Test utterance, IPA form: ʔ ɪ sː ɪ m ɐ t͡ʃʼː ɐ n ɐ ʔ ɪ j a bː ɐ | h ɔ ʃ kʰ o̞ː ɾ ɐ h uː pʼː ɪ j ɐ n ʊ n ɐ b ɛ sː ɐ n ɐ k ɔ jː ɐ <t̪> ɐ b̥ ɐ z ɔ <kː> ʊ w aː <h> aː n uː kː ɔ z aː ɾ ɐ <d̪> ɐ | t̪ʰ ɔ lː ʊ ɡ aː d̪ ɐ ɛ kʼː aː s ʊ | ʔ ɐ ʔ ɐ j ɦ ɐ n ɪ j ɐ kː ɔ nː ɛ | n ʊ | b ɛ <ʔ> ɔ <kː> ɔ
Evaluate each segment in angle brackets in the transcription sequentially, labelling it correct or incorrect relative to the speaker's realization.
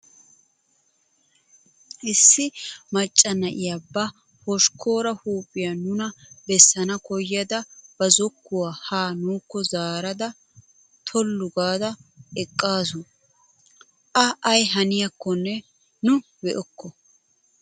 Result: incorrect: d̪, correct, correct, correct, correct, correct

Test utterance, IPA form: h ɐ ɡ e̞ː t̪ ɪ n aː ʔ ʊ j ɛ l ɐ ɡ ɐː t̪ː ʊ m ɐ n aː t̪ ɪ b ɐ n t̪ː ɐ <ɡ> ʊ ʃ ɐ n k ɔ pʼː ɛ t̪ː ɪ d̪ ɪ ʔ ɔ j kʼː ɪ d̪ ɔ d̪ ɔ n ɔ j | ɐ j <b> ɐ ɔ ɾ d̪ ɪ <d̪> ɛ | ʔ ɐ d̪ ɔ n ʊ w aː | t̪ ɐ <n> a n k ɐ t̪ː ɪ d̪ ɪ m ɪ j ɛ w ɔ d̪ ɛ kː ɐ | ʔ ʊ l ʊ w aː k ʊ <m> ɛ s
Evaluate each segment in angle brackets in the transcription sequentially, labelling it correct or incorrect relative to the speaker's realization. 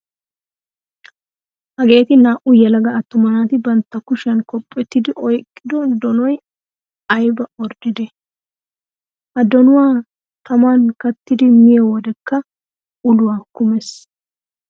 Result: incorrect: k, correct, correct, incorrect: m, correct

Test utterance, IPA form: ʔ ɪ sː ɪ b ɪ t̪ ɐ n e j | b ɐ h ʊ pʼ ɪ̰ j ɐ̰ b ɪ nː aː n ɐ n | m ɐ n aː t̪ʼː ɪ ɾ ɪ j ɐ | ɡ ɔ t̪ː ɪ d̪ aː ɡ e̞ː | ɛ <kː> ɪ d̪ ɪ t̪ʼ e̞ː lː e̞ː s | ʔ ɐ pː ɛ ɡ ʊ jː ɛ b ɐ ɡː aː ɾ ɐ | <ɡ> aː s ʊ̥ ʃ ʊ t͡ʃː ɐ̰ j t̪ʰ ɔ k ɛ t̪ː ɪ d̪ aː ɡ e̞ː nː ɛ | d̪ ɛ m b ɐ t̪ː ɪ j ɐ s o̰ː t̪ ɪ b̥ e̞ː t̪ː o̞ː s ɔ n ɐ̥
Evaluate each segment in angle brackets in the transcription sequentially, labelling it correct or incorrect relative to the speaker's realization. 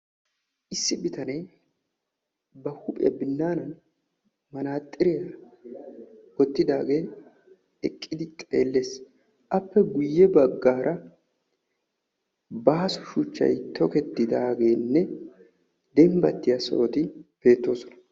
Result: incorrect: kʼː, incorrect: b

